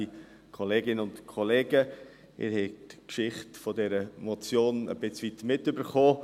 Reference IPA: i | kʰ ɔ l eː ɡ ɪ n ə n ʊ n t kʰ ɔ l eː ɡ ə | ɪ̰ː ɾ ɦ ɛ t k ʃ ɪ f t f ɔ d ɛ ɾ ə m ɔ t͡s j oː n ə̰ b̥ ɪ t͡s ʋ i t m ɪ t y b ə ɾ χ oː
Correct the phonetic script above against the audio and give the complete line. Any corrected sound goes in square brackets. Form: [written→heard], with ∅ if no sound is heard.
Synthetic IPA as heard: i | kʰ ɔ l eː ɡ ɪ n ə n ʊ n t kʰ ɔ l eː ɡ ə | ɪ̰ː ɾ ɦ ɛ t k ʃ ɪ [f→χ] t f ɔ d ɛ ɾ ə m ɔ t͡s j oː n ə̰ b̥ ɪ t͡s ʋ i t m ɪ t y b ə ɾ χ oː